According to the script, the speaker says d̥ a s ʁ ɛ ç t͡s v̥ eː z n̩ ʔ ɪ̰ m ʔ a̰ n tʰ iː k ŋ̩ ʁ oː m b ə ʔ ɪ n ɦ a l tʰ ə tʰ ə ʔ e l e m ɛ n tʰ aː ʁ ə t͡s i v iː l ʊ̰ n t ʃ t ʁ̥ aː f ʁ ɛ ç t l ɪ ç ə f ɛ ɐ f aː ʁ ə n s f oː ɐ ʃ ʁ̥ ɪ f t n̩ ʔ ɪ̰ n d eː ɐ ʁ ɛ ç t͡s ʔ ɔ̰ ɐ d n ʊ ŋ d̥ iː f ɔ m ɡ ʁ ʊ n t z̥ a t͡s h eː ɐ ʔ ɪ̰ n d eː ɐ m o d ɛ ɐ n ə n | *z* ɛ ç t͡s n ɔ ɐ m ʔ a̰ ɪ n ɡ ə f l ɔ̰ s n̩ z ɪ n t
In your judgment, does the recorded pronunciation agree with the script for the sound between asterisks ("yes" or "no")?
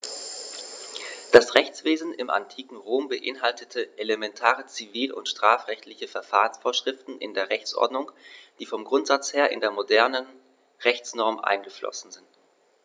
no